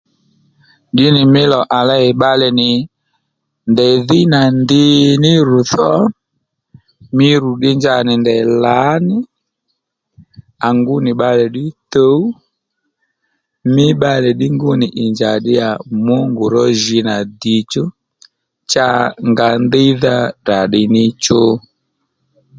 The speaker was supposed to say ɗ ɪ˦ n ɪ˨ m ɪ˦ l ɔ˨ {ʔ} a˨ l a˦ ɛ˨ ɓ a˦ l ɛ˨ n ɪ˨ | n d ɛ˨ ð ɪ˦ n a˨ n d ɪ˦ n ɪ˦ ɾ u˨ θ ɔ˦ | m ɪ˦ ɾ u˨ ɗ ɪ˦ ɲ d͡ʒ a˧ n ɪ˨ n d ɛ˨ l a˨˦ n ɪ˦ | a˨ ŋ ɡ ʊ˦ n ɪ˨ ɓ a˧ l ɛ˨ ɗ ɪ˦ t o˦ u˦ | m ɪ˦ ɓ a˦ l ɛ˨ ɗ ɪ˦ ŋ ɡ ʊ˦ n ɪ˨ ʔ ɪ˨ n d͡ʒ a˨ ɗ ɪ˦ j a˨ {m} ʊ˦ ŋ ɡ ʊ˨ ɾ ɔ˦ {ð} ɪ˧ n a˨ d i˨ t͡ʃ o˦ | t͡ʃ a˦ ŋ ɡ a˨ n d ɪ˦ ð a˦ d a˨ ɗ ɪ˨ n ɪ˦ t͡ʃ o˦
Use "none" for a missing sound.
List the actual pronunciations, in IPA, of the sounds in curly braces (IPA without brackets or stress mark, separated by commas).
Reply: ʔ, m, ʒ